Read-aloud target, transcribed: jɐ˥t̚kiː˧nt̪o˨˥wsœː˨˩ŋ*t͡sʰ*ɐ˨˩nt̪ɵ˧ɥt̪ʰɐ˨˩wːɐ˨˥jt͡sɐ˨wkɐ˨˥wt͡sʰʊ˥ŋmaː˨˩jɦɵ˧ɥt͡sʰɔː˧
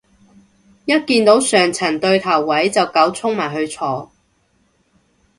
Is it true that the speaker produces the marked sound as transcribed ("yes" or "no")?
yes